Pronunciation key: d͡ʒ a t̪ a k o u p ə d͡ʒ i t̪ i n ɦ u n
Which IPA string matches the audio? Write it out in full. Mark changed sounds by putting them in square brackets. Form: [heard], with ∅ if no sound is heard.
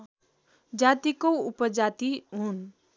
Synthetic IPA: d͡ʒ a t̪ [i] k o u p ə d͡ʒ [a] t̪ i [∅] ɦ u n